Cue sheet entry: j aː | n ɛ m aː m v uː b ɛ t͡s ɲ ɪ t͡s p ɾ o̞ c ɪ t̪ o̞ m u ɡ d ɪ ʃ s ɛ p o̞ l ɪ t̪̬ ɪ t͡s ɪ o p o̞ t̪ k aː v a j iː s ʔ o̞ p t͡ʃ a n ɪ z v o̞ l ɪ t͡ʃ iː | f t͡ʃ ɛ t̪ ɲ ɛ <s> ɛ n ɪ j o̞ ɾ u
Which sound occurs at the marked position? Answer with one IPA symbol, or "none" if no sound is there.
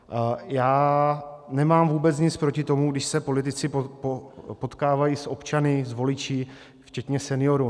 s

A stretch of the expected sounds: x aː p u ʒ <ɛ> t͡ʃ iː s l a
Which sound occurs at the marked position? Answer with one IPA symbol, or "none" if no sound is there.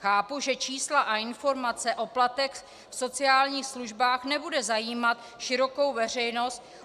ɛ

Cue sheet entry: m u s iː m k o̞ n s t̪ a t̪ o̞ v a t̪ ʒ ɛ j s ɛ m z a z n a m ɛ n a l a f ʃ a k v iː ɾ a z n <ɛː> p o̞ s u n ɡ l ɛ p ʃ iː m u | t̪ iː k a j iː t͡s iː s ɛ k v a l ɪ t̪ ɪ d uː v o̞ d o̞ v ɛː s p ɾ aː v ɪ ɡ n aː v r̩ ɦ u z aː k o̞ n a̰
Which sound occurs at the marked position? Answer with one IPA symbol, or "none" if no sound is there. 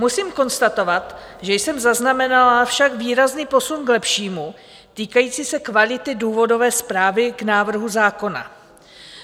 iː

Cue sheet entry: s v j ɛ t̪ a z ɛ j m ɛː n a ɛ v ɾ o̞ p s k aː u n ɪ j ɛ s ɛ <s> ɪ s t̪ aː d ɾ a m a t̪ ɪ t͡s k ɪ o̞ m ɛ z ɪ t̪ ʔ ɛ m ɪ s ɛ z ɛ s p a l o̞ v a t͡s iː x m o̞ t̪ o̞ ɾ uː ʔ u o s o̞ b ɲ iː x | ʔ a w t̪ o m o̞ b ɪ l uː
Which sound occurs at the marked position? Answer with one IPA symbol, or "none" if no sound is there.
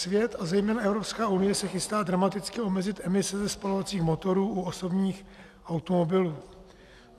x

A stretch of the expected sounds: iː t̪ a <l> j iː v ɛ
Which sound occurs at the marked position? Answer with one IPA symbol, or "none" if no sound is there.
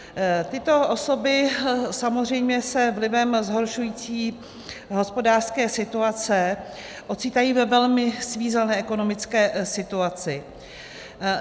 none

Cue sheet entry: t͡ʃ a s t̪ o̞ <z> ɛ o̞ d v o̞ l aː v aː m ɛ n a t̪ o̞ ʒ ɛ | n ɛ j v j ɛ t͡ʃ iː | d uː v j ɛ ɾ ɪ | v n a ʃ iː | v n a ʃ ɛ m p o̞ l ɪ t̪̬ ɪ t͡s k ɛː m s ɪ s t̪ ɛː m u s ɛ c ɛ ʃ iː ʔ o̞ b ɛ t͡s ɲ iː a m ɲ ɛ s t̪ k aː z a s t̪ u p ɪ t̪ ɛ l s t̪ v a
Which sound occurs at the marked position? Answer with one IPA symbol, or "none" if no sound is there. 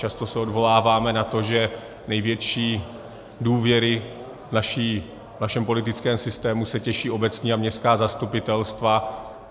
s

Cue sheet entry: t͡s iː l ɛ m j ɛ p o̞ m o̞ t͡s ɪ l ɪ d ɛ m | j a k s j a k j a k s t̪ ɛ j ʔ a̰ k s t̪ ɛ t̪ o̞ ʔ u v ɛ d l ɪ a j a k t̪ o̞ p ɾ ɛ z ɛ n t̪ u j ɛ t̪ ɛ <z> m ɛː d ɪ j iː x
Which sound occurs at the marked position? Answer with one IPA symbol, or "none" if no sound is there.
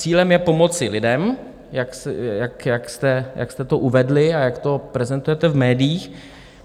v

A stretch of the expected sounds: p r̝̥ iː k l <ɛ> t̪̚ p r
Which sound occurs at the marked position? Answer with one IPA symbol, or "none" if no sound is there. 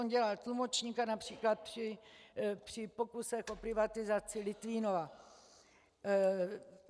a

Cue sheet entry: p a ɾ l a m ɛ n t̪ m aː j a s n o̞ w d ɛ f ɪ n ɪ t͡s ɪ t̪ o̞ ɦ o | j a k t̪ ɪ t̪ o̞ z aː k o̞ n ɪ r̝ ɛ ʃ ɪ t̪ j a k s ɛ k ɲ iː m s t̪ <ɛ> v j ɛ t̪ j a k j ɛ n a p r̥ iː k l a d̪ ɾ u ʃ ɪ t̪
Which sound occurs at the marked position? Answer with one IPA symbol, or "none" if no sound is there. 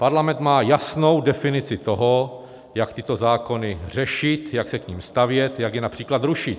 a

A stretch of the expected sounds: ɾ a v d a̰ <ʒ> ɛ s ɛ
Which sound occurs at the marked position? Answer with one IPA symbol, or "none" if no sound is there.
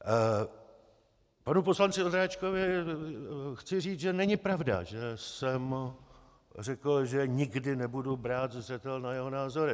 ʒ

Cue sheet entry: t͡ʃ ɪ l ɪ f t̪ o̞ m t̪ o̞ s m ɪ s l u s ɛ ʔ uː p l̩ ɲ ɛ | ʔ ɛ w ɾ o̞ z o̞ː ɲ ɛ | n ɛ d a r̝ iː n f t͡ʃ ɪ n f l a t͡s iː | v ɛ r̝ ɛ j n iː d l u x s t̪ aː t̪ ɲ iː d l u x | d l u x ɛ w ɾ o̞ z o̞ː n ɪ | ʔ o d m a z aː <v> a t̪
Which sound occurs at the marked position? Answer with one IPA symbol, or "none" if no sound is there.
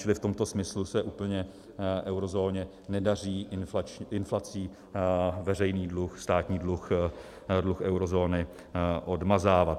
v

